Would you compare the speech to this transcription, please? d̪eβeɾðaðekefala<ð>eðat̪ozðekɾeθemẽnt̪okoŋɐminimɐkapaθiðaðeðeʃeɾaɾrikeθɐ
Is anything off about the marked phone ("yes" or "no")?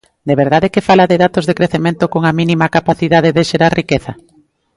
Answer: no